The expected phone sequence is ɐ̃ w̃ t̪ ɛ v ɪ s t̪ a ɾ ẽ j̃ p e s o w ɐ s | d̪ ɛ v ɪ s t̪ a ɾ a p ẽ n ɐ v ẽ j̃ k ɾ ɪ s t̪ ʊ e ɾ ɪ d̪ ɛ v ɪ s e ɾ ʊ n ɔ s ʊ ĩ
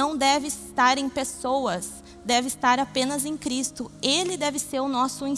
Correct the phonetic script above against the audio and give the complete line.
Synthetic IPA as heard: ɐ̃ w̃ d̪ ɛ v ɪ s t̪ a ɾ ẽ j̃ p e s o w ɐ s | d̪ ɛ v ɪ s t̪ a ɾ a p ẽ n ɐ z ẽ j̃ k ɾ i s t̪ ʊ e l ɪ d̪ ɛ v ɪ s e ɾ ʊ n ɔ s ʊ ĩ